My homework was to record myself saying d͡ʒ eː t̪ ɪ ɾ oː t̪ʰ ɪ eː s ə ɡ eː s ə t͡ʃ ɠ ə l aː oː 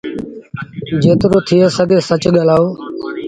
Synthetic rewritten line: d͡ʒ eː t̪ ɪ ɾ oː t̪ʰ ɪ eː s ə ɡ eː s ə t͡ʃ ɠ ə l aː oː